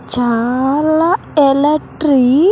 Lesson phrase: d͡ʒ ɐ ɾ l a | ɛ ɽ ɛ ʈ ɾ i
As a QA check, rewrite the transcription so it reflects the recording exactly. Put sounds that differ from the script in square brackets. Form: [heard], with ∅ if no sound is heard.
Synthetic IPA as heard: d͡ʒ [a] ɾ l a | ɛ [l] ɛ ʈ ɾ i